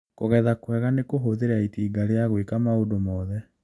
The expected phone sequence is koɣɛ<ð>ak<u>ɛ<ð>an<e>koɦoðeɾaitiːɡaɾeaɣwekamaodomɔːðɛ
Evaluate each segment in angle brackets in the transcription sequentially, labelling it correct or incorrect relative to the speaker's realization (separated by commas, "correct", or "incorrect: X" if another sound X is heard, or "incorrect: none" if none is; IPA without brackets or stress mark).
correct, incorrect: w, incorrect: ɣ, correct